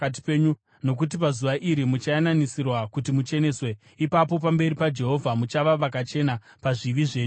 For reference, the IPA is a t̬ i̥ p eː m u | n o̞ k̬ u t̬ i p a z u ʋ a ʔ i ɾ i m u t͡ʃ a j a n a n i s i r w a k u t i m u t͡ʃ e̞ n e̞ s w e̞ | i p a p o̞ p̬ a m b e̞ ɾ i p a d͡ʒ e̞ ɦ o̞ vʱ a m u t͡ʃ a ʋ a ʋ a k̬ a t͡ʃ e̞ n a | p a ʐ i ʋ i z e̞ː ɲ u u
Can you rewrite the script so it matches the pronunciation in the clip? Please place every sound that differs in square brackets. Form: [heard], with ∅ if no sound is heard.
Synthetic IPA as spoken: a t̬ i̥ p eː [ɲ] u | n o̞ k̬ u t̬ i p a z u ʋ a ʔ i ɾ i m u t͡ʃ a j a n a n i s i r w a k u t i m u t͡ʃ e̞ n e̞ s w e̞ | i p a p o̞ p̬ a m b e̞ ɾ i p a d͡ʒ e̞ ɦ o̞ vʱ a m u t͡ʃ a ʋ a ʋ a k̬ a t͡ʃ e̞ n a | p a ʐ i ʋ i [ʐ] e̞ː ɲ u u